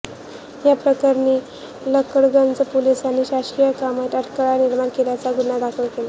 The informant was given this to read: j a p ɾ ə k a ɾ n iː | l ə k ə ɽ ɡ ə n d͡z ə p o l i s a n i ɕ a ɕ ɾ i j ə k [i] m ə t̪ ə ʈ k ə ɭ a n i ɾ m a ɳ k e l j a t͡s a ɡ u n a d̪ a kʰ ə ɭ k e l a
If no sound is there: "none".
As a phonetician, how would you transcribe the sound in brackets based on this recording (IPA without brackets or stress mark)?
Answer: a